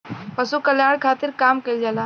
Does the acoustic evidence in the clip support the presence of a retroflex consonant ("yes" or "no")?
yes